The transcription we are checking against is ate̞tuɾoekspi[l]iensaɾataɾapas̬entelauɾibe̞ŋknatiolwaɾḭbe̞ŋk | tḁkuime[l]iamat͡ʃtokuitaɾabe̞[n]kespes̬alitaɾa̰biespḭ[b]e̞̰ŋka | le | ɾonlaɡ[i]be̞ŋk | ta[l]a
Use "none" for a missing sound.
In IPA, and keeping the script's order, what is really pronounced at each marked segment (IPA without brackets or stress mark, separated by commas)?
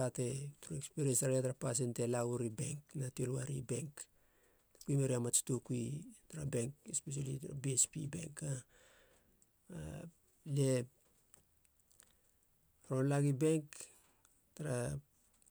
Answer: ɾ, ɾ, ŋ, b, i, ɾ